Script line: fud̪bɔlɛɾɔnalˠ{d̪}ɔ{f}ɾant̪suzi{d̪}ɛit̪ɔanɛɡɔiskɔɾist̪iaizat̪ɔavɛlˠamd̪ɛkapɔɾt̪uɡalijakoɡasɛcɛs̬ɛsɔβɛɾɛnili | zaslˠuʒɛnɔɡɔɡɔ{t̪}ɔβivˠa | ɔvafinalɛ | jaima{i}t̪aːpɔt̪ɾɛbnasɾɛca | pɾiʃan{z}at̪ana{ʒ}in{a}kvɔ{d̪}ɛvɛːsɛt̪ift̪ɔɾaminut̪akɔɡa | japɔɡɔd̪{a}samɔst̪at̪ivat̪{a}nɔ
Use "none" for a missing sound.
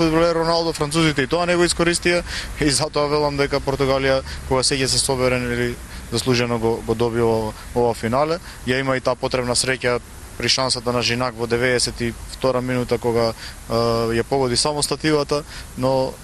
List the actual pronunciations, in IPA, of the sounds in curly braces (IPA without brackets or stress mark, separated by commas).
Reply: d̪, f, t̪, d̪, i, s, ʒ, a, d̪, i, a